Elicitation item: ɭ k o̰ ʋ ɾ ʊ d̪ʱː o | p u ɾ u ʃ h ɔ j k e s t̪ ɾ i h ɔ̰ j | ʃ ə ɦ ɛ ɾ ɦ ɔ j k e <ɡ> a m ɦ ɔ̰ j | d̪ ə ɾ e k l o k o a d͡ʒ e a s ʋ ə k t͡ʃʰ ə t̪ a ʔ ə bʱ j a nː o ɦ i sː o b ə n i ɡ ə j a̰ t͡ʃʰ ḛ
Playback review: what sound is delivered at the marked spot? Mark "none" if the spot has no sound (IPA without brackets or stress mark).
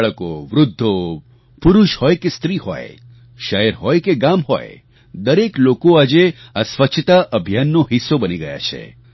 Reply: ɡ